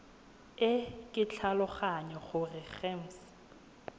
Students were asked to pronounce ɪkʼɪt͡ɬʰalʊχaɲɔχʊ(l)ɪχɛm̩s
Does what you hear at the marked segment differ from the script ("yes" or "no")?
yes